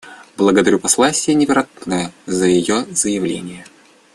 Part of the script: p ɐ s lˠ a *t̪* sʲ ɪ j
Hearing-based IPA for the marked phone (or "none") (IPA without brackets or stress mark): none